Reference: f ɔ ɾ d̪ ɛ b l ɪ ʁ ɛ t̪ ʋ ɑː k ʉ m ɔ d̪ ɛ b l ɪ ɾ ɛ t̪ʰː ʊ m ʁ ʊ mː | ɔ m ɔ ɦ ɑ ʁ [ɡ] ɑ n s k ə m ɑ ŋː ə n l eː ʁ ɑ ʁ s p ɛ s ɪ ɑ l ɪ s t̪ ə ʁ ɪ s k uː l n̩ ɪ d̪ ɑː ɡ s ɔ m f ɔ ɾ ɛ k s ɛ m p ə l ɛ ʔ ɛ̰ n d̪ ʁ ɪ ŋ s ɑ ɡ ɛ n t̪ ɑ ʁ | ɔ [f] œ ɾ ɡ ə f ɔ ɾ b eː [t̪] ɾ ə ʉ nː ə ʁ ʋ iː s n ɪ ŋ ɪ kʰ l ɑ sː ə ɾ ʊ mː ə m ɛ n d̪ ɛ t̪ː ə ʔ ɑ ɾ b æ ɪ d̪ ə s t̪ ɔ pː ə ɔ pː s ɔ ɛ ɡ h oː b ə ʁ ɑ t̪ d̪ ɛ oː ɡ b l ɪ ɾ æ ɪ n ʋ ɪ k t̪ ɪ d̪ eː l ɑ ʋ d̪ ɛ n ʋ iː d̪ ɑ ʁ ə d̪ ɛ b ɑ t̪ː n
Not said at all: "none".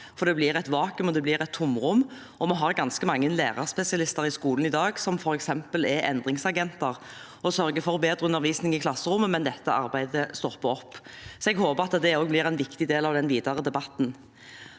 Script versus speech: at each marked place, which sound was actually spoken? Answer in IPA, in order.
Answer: ɡ, s, d̪

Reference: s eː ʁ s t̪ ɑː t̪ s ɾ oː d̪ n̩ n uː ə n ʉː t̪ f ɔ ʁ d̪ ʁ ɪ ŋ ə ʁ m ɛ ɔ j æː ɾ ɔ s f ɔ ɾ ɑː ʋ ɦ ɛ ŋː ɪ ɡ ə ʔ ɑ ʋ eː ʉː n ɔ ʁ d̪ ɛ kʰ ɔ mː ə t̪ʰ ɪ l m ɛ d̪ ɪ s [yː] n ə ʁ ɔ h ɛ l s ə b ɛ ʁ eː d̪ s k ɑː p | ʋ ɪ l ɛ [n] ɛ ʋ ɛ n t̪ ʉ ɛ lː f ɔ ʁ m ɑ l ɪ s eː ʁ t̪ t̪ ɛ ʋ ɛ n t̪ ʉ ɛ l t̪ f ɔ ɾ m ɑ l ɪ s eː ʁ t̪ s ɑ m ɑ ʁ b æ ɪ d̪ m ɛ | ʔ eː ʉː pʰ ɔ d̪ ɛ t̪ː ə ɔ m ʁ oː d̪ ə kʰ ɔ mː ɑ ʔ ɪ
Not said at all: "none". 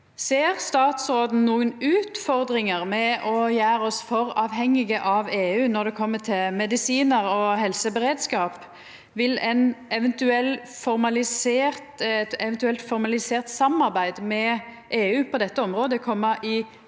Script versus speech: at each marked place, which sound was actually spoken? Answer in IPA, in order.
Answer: iː, n

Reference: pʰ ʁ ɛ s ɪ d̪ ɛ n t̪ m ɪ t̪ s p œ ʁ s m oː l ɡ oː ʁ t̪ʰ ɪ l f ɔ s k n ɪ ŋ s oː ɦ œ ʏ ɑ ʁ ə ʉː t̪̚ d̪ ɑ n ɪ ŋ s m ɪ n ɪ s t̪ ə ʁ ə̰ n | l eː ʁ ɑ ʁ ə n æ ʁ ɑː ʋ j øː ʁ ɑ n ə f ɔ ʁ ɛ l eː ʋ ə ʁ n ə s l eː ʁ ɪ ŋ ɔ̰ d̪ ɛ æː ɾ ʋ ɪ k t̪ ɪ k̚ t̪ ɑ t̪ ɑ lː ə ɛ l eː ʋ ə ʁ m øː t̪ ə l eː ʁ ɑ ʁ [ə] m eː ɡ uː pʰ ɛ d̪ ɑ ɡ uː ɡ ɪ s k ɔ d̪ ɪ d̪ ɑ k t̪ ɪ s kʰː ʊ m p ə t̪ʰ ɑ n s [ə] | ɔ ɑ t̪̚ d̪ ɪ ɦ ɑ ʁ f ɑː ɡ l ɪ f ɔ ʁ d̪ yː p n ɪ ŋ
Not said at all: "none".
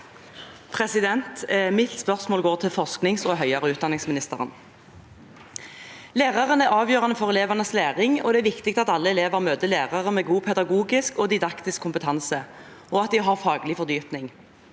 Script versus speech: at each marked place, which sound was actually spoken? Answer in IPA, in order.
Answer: ə, ə

